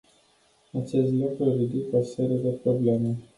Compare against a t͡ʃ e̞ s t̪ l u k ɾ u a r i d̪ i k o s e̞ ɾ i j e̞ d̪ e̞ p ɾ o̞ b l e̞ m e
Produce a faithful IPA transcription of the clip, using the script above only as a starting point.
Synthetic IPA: a t͡ʃ e̞ s t̪ l u k ɾ u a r i d̪ i k o s e̞ ɾ i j e̞ d̪ e̞ p ɾ o̞ b l e̞ m e